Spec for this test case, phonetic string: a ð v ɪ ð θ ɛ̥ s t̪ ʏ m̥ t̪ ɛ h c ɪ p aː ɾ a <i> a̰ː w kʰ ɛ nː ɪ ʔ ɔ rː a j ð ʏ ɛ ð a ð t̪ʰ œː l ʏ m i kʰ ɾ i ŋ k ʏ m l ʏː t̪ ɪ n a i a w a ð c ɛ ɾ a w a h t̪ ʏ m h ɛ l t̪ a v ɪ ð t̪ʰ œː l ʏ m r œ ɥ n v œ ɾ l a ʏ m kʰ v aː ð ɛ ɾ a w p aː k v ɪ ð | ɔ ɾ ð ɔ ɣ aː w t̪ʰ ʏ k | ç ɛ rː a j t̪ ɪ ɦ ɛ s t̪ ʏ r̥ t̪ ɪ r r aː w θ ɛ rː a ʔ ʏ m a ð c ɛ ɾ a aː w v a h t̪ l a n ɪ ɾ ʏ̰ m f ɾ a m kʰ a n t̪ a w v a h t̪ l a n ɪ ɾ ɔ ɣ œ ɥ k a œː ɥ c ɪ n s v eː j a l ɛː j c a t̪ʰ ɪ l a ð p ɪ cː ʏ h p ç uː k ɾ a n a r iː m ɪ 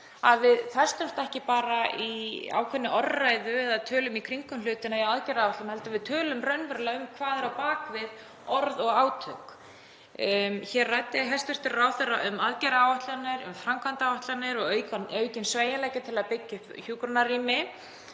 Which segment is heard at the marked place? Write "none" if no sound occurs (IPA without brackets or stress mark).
i